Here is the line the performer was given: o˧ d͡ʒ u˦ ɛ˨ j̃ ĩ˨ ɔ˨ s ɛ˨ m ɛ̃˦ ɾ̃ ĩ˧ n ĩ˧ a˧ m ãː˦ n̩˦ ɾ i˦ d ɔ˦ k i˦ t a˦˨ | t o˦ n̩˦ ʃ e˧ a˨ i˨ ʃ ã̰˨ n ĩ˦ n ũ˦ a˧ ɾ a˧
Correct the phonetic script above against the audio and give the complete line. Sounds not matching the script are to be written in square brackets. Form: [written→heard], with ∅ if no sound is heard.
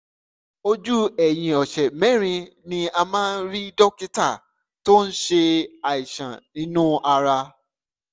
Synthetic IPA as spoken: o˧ d͡ʒ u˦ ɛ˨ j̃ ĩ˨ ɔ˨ [s→ʃ] ɛ˨ m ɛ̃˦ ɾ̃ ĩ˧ n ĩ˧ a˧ m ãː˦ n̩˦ ɾ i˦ d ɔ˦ k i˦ t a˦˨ | t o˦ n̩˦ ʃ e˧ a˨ i˨ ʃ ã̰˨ n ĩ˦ n ũ˦ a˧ ɾ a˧